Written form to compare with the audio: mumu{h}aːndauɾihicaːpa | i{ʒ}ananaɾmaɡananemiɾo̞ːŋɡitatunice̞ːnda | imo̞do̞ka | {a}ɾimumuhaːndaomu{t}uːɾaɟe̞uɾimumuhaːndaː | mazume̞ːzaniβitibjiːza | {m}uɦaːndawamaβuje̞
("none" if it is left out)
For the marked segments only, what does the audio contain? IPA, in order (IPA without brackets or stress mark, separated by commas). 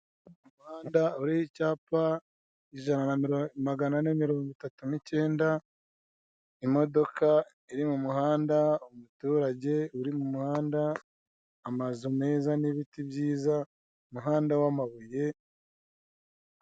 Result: h, ʒ, i, t, m